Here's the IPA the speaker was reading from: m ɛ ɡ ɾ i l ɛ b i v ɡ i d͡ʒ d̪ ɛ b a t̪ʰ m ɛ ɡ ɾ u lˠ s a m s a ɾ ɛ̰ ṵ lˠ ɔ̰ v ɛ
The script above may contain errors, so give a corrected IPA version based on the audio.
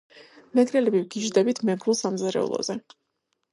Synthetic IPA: m ɛ ɡ ɾ ɛ l ɛ b i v ɡ i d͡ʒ d̪ ɛ b i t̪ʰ m ɛ ɡ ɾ u lˠ s a m z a ɾ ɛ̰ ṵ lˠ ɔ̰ z ɛ